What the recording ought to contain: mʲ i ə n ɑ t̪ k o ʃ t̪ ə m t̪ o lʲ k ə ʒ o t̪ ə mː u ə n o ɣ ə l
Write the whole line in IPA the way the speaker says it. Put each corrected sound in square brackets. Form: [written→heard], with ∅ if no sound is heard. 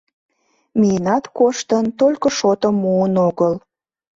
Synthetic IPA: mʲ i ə n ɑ t̪ k o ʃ t̪ ə [m→n] t̪ o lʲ k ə [ʒ→ʃ] o t̪ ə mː u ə n o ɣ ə l

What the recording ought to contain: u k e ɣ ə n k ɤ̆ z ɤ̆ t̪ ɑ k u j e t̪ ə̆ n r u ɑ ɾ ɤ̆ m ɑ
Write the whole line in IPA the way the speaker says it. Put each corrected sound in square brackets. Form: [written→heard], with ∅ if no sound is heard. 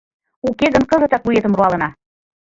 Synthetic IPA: u k e ɣ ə n k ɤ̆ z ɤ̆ t̪ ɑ k u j e t̪ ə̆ [n→m] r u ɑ [ɾ→l] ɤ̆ [m→n] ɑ

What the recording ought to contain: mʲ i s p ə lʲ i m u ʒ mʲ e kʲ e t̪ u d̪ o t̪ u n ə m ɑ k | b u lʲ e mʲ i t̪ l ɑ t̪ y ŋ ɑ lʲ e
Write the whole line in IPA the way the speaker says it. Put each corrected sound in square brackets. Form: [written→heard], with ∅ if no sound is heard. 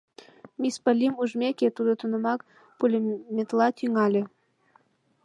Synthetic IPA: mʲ i s p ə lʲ i m u ʒ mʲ e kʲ e t̪ u d̪ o t̪ u n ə m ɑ k | [b→p] u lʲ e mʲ [i→e] t̪ l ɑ t̪ y ŋ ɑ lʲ e

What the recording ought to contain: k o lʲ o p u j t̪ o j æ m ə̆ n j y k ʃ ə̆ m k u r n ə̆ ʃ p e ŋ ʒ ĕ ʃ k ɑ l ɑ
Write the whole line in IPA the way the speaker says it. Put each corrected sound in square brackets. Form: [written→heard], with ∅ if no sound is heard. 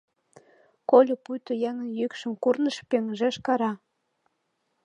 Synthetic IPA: k o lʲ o p u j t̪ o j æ [m→ŋ] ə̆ n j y k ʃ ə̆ m k u r n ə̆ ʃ p e ŋ ʒ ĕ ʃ k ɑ [l→ɾ] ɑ

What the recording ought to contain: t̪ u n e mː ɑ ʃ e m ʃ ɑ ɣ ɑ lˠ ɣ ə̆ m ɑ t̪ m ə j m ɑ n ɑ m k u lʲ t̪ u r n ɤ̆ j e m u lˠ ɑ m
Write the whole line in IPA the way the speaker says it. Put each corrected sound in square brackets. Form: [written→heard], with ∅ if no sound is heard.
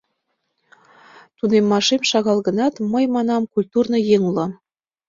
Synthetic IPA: t̪ u n e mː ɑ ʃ e m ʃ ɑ ɣ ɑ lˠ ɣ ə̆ [m→n] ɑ t̪ m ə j m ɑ n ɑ m k u lʲ t̪ u r n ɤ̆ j e [m→ŋ] u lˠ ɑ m

